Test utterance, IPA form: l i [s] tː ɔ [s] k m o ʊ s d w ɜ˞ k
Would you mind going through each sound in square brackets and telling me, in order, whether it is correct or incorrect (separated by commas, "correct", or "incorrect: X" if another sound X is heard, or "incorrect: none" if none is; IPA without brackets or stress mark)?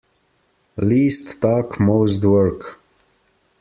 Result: correct, incorrect: none